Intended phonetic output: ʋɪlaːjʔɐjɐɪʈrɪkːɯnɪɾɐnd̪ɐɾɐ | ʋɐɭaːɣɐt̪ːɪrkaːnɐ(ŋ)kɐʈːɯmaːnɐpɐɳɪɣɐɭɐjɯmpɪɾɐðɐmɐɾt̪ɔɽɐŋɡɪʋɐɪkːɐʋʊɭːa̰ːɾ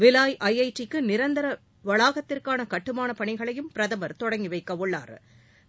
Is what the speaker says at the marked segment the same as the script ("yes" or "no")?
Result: no